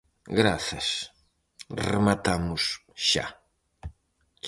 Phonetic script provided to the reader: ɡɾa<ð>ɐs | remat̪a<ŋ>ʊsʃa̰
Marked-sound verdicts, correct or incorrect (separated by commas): incorrect, incorrect